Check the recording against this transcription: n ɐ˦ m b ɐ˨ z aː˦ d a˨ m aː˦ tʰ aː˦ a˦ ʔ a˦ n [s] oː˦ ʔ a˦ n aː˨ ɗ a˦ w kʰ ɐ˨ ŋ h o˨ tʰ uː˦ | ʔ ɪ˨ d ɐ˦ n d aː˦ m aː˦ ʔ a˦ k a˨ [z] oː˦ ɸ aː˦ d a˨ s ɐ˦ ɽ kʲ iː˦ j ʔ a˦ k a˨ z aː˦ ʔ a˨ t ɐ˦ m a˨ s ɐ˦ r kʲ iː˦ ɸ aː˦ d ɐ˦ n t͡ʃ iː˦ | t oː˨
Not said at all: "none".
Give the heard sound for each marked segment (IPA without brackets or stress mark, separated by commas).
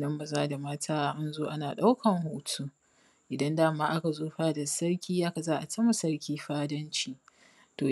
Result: z, z